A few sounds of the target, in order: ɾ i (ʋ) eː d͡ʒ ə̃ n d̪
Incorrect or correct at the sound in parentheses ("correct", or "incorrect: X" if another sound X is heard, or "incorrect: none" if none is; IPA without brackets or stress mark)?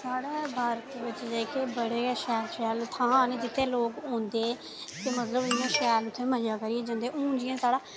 incorrect: none